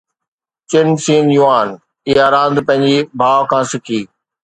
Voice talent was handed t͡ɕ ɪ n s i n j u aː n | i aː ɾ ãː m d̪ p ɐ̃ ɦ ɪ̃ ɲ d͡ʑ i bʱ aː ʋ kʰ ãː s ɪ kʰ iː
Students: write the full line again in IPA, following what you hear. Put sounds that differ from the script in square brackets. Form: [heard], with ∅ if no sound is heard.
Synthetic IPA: t͡ɕ ɪ n s [iː] n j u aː n | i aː ɾ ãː [n] d̪ p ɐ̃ ɦ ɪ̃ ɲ d͡ʑ i bʱ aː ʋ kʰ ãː s ɪ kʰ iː

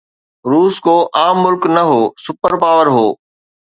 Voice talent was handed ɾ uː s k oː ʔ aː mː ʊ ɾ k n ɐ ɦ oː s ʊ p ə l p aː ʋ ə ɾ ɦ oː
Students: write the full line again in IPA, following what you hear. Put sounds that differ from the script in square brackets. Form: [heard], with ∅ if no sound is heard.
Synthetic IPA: ɾ uː s k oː ʔ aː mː ʊ [l] k n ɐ ɦ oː s ʊ p ə [ɾ] p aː ʋ ə ɾ ɦ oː

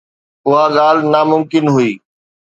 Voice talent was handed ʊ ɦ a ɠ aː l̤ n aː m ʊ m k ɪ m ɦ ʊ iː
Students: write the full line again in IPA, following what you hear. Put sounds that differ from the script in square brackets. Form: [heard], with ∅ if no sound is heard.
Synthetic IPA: ʊ ɦ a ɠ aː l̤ n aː m ʊ m k ɪ [n] ɦ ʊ iː

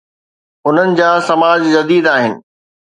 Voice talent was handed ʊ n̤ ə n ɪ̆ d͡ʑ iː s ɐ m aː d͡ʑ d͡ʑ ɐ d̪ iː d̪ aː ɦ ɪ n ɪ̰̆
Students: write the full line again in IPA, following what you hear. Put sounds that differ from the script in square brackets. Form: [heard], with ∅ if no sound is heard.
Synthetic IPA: ʊ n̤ ə n ɪ̆ d͡ʑ [aː] s ɐ m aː d͡ʑ d͡ʑ ɐ d̪ iː d̪ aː ɦ ɪ n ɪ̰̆

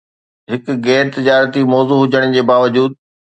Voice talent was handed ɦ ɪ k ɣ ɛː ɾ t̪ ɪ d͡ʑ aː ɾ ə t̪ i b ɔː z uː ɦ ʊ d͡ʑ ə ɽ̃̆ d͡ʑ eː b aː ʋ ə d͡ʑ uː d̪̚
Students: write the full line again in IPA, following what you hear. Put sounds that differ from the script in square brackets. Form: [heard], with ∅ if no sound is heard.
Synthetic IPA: ɦ ɪ k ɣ ɛː ɾ t̪ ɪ d͡ʑ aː ɾ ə t̪ i [m] ɔː z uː ɦ ʊ d͡ʑ ə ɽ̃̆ d͡ʑ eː b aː ʋ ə d͡ʑ uː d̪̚

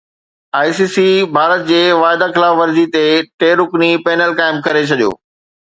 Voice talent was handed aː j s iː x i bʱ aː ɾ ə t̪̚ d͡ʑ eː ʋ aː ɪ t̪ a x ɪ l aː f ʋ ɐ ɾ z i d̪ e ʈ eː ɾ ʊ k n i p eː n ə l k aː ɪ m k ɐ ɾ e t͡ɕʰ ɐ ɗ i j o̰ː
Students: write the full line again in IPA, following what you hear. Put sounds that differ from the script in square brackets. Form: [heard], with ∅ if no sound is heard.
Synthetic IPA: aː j s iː [s] i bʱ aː ɾ ə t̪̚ d͡ʑ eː ʋ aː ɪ [d̪] a x ɪ l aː f ʋ ɐ ɾ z i [t̪] e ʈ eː ɾ ʊ k n i p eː n ə l k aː ɪ m k ɐ ɾ e t͡ɕʰ ɐ ɗ i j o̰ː

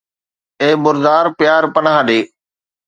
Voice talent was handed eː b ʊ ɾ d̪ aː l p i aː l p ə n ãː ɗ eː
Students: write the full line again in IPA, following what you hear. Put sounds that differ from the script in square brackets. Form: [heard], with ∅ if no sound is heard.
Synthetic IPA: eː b ʊ ɾ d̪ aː [ɾ] p [j] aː [ɾ] p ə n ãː ɗ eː

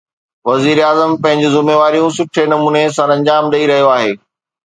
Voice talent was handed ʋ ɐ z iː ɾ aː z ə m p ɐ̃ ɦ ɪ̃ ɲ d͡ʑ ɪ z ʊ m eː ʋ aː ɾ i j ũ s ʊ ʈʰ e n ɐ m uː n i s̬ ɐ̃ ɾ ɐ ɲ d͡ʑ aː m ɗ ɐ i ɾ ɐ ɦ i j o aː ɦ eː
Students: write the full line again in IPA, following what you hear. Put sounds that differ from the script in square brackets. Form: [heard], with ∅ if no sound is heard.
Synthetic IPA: ʋ ɐ z iː ɾ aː z ə m p ɐ̃ ɦ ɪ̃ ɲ d͡ʑ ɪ z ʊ m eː ʋ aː ɾ i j ũ s ʊ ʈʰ e n ɐ m uː n [e] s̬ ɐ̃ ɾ [ɐ̃] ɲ d͡ʑ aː m ɗ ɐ i ɾ ɐ ɦ i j o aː ɦ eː

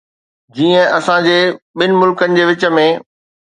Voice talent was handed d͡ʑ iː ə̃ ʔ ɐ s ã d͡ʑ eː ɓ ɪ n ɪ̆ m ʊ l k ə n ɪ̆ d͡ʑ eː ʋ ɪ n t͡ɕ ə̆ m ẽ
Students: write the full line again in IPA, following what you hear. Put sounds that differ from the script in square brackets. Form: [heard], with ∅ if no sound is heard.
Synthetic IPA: d͡ʑ iː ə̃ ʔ ɐ s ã d͡ʑ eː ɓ ɪ n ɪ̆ m ʊ l k ə n ɪ̆ d͡ʑ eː ʋ ɪ [∅] t͡ɕ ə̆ m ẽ

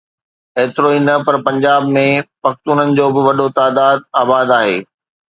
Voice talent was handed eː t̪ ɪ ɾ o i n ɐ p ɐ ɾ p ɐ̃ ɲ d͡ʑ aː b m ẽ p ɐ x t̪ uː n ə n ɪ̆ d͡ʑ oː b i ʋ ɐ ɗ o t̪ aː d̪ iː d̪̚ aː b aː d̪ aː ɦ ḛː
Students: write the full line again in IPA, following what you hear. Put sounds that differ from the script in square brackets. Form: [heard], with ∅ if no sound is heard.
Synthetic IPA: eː t̪ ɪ ɾ o i n ɐ p ɐ ɾ p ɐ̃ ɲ d͡ʑ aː b m ẽ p ɐ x t̪ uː n ə n ɪ̆ d͡ʑ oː b [ɪ] ʋ ɐ ɗ o t̪ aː d̪ [aː] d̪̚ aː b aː d̪ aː ɦ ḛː

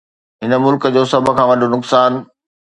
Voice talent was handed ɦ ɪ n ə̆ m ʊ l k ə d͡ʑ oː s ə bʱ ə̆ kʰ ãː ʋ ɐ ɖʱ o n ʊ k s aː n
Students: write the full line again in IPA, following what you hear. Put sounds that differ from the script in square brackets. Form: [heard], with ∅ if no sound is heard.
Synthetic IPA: ɦ ɪ n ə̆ m ʊ l k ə d͡ʑ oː s [ɐ] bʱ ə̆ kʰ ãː ʋ ɐ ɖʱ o n ʊ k s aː n

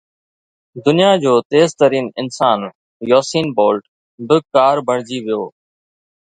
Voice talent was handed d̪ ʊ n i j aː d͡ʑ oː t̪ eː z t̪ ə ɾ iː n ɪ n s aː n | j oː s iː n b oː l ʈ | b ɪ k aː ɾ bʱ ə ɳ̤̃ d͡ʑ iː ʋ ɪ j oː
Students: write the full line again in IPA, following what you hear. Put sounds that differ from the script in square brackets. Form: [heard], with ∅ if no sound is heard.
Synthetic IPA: d̪ ʊ n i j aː d͡ʑ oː t̪ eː z t̪ ə ɾ iː n ɪ n s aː n | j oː s iː n b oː l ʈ | b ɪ k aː ɾ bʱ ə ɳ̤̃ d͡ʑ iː ʋ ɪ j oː

